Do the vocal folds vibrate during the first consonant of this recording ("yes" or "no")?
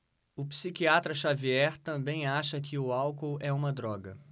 no